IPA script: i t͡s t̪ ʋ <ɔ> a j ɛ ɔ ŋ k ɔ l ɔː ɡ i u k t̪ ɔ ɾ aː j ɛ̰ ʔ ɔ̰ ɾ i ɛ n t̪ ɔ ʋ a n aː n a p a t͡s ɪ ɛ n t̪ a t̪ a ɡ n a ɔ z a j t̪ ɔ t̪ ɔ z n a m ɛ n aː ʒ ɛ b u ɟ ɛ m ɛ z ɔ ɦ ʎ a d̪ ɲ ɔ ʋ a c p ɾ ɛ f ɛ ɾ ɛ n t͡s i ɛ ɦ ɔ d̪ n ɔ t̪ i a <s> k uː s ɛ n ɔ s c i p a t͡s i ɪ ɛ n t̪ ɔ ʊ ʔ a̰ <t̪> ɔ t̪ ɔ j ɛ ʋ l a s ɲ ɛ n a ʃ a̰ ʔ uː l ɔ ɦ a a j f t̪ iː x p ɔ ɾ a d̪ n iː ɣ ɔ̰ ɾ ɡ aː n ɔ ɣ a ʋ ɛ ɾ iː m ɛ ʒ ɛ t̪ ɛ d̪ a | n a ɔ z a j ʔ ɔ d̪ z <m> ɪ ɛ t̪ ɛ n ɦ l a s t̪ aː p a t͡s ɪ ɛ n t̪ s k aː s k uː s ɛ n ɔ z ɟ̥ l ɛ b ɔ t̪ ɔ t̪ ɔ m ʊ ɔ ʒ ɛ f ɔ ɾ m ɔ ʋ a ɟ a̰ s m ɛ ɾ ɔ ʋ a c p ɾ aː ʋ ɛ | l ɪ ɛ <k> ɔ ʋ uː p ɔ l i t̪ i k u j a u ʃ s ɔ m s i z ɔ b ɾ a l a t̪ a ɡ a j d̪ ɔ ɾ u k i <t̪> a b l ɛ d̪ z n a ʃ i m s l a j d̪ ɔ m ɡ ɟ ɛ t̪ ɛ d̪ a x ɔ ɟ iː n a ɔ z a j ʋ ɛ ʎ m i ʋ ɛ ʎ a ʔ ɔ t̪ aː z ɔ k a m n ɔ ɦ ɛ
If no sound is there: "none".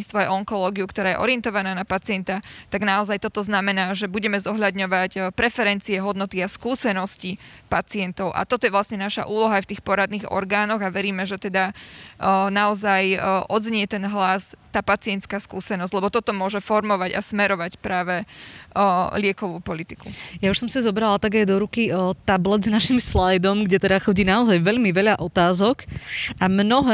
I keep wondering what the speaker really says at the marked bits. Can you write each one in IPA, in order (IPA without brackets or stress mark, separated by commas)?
ɔ, s, t̪, ɲ, k, t̪